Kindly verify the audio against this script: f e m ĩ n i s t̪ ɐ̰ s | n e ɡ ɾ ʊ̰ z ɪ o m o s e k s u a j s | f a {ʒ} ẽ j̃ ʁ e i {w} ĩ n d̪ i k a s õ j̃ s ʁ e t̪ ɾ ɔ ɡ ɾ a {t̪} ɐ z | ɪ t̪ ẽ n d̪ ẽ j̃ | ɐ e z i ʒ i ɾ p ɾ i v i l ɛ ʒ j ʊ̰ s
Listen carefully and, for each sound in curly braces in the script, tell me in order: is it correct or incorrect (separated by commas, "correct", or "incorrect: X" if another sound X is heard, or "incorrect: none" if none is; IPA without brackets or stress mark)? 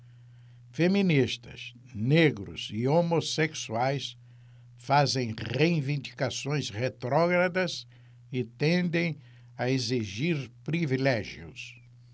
incorrect: z, incorrect: v, incorrect: d̪